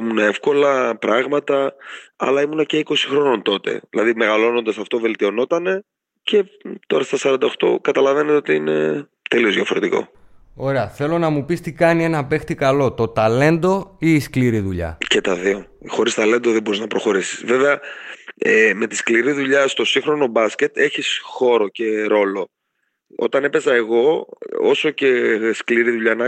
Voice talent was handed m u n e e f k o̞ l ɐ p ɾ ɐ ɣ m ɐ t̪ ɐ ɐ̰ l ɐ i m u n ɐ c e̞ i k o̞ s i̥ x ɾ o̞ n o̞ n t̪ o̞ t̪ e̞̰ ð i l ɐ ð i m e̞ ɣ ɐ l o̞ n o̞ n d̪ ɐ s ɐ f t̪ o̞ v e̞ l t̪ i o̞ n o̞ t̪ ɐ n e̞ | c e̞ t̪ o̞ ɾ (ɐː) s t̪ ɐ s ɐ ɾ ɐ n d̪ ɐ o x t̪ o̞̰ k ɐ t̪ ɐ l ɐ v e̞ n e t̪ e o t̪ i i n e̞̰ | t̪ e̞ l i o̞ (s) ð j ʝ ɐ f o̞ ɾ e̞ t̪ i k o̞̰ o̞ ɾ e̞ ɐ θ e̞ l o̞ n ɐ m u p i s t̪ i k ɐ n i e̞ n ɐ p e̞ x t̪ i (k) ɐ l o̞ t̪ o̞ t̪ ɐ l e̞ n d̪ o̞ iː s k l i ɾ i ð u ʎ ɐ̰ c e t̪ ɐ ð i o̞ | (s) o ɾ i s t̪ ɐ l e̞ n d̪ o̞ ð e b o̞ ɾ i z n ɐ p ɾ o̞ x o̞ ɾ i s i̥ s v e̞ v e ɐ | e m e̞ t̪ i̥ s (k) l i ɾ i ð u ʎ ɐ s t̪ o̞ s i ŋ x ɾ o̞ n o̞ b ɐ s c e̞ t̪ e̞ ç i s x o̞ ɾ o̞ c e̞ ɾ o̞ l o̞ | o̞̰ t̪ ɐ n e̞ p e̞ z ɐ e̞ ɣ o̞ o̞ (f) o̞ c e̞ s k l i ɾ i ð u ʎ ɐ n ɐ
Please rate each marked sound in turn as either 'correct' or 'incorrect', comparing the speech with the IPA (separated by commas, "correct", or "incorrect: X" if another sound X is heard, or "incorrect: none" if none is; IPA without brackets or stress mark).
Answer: incorrect: ɐ, incorrect: z, correct, incorrect: x, correct, incorrect: s